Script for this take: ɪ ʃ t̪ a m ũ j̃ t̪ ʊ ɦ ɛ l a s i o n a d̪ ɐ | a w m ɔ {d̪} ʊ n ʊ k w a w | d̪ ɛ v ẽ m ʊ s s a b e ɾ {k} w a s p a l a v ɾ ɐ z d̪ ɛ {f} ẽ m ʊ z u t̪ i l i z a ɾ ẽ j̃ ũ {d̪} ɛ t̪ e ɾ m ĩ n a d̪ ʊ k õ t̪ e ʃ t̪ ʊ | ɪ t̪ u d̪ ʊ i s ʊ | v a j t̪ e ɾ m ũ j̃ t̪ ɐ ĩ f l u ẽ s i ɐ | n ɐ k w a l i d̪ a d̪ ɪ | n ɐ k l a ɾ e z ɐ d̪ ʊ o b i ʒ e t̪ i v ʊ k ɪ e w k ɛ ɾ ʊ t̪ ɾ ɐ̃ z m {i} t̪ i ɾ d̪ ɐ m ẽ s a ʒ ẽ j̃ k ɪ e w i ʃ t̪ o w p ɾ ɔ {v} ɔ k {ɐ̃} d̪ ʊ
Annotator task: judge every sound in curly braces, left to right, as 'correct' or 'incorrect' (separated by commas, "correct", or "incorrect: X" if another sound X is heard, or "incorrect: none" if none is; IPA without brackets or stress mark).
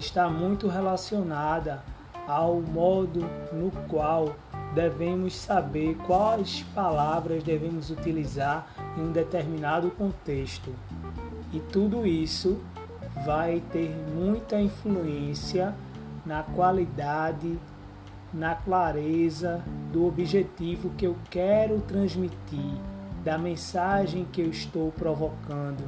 correct, correct, incorrect: v, correct, correct, correct, correct